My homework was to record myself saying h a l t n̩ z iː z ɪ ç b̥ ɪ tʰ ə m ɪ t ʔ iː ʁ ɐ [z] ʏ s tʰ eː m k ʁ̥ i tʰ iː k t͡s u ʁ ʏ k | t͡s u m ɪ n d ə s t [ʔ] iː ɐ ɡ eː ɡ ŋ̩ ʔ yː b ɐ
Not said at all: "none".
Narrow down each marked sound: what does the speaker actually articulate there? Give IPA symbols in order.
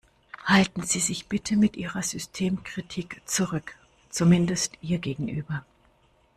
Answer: z, ʔ

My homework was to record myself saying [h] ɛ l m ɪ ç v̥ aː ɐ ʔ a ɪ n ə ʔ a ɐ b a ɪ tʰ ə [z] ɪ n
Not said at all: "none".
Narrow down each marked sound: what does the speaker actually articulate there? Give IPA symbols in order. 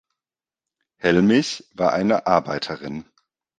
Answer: h, ʁ

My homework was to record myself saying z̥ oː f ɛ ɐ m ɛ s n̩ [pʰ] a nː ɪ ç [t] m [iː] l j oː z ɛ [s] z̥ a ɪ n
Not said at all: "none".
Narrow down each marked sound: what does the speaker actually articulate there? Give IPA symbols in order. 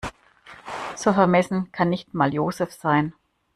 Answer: kʰ, t, aː, f

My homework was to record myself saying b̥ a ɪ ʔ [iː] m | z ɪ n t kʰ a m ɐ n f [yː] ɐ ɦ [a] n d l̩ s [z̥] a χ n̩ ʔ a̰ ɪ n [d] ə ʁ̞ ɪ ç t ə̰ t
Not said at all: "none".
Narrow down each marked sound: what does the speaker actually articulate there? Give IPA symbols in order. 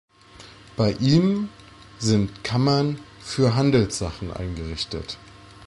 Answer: iː, yː, a, z̥, ɡ

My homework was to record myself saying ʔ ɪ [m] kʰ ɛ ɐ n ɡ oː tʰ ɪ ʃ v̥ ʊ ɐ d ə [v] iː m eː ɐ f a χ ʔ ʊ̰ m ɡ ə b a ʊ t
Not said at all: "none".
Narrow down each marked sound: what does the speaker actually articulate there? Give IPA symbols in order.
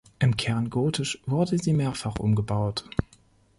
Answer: m, z

